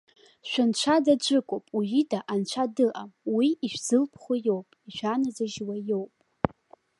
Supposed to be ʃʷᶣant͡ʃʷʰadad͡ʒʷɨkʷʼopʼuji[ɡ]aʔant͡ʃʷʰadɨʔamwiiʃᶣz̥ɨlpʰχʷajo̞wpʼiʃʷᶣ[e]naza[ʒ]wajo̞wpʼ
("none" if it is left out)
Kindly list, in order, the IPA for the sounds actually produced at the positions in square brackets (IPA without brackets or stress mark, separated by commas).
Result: d, a, ʒ